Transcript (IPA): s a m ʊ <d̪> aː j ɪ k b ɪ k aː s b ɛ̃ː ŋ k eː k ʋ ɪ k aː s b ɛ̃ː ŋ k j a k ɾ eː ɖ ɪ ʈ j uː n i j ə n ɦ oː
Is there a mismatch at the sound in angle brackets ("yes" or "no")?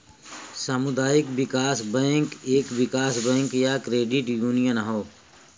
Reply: no